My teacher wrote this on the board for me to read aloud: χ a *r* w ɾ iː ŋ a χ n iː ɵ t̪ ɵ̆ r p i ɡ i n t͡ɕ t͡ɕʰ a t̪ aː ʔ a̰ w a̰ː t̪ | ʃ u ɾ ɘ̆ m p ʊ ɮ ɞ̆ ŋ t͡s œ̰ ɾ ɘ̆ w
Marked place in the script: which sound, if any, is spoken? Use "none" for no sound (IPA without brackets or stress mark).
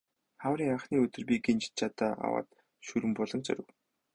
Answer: none